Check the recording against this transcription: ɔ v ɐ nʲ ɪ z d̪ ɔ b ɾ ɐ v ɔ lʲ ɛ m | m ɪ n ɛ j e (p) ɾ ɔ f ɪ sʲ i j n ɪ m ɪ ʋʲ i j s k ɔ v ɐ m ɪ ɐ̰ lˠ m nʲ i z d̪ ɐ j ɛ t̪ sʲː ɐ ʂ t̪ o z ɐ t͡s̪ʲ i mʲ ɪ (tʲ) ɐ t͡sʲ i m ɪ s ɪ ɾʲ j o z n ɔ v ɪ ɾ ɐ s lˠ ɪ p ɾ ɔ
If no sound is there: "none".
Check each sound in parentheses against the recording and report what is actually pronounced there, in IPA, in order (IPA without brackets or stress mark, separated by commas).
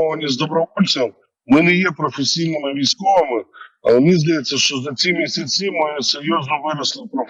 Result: p, sʲ